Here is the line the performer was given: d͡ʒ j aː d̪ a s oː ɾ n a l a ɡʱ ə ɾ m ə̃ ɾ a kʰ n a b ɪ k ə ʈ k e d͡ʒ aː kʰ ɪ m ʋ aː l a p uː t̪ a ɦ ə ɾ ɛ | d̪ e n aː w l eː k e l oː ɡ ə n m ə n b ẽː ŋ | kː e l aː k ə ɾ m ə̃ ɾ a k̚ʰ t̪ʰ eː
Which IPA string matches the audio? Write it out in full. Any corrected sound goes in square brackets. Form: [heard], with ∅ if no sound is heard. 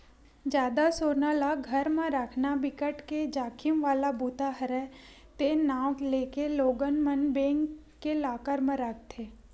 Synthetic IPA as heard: d͡ʒ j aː d̪ a s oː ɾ n a l a ɡʱ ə ɾ m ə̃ ɾ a kʰ n a b ɪ k ə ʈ k e d͡ʒ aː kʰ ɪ m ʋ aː l a [b] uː t̪ a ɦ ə ɾ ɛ | [t̪] e n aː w l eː k e l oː ɡ ə n m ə n b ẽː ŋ | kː e l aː k ə ɾ m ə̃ ɾ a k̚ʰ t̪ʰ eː